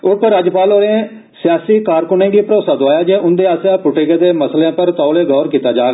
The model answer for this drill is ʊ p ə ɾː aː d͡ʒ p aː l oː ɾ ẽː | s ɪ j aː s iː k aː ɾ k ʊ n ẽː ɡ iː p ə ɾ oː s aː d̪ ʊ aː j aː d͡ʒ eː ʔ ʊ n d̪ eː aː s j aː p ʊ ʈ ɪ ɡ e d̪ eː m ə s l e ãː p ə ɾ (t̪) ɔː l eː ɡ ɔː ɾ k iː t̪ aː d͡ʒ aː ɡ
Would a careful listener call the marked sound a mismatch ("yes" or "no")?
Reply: no